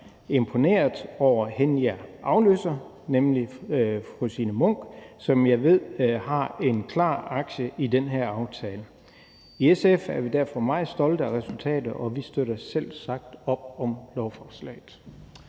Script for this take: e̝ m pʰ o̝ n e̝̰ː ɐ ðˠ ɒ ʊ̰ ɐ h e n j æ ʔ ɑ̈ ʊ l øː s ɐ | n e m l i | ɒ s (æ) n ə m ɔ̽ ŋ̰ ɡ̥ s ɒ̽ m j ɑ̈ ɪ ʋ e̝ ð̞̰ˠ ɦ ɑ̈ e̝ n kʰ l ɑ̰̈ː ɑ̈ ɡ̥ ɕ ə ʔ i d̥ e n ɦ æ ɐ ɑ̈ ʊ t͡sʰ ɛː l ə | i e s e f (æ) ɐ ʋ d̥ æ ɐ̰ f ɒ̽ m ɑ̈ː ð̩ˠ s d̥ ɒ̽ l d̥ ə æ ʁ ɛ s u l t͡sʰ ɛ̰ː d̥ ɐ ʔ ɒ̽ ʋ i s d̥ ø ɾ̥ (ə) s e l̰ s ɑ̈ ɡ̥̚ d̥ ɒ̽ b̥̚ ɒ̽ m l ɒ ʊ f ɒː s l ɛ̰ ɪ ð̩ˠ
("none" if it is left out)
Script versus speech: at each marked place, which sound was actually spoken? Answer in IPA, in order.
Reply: i, æ, ɐ

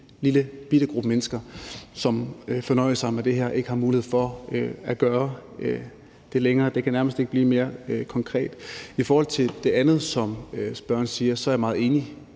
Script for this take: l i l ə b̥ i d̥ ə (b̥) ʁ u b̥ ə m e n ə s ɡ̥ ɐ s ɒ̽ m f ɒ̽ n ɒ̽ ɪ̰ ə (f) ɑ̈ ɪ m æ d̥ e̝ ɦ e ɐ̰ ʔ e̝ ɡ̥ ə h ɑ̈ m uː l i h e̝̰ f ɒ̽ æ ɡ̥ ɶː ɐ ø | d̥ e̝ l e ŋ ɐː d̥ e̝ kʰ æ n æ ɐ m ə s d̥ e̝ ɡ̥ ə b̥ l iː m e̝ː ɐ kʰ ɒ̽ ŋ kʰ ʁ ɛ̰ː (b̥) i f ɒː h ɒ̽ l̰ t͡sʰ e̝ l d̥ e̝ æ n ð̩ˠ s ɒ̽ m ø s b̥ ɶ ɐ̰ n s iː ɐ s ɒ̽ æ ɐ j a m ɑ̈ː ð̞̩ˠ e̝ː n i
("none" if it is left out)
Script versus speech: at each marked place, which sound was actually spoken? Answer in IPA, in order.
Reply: ɡ̥, s, d̥

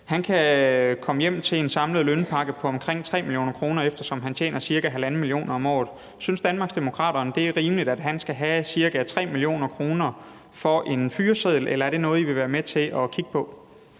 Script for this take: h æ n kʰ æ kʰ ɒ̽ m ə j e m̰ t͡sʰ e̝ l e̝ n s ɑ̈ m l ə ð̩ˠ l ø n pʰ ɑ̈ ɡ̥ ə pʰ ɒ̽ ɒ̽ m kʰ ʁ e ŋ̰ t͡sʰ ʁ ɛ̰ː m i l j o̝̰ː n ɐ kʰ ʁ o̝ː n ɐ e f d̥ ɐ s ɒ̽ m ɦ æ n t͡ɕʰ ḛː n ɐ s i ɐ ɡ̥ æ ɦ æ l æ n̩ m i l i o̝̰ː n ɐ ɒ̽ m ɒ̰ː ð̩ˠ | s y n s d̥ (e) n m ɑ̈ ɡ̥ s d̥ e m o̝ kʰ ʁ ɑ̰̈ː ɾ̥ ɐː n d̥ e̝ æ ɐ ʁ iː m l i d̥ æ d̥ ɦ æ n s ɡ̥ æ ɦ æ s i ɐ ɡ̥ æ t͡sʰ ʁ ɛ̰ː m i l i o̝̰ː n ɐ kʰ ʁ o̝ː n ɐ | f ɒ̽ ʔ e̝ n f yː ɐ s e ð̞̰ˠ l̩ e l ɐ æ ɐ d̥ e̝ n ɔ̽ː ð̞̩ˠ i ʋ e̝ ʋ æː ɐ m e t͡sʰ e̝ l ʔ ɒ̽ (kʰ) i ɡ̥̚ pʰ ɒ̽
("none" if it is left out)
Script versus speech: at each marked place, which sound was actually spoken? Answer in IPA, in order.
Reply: æ, kʰ

